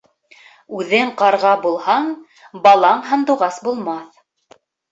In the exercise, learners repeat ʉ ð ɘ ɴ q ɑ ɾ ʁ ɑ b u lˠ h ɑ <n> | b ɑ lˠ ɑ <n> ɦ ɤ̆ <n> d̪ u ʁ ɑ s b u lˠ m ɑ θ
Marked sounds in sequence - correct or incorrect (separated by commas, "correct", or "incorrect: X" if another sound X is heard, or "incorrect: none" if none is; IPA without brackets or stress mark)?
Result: incorrect: ɴ, incorrect: ɴ, correct